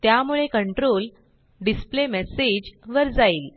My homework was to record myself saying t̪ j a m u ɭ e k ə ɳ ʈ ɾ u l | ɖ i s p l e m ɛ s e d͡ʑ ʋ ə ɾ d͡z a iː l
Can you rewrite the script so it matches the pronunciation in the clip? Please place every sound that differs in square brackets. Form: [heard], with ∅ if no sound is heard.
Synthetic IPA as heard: t̪ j a m u ɭ e k ə ɳ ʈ ɾ [o] l | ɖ i s p l e m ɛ s e d͡ʑ ʋ ə ɾ d͡z a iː l